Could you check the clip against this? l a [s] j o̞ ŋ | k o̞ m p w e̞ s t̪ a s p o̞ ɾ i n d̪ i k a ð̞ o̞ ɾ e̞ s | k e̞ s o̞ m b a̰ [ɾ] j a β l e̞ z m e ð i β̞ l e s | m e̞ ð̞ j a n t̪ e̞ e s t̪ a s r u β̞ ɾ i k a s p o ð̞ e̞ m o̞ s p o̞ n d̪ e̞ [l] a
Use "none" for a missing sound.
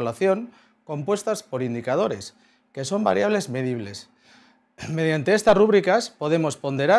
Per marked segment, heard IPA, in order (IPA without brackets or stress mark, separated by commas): θ, ɾ, ɾ